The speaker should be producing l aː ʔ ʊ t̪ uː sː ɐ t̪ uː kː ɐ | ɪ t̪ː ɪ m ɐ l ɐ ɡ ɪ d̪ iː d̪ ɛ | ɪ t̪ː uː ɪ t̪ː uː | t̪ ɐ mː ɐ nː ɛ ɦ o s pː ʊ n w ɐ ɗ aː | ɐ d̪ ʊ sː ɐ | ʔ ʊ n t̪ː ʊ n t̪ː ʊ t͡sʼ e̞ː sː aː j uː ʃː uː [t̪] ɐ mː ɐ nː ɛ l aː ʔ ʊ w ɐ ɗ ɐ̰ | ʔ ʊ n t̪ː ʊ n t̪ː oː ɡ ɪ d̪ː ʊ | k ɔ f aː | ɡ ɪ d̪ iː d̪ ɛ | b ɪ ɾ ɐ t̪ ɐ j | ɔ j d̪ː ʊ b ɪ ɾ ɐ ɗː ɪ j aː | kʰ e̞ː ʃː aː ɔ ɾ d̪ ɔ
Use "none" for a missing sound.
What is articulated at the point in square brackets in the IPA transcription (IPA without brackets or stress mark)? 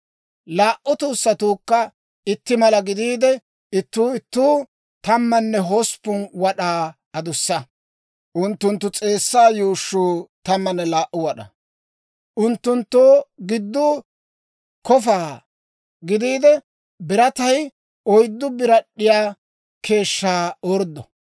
t̪